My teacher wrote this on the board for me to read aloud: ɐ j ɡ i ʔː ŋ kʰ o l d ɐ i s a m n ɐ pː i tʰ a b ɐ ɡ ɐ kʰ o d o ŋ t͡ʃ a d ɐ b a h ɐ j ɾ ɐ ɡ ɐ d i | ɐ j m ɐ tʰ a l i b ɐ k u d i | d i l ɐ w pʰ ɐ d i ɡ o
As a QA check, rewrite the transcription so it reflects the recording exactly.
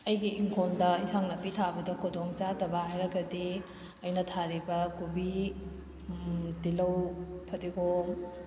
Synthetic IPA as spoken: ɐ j ɡ i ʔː ŋ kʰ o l d ɐ i s a ŋ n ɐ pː i tʰ a b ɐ d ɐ kʰ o d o ŋ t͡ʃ a d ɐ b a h a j ɾ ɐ ɡ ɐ d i | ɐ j n ɐ tʰ a ɾ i b ɐ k u b i | d i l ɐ w pʰ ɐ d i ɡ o